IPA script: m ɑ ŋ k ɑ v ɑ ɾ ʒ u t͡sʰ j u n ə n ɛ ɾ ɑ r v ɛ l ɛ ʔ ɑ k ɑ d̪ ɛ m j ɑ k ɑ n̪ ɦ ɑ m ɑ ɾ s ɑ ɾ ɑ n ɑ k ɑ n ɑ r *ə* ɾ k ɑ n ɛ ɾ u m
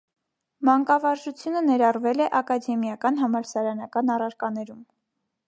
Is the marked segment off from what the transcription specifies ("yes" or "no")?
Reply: yes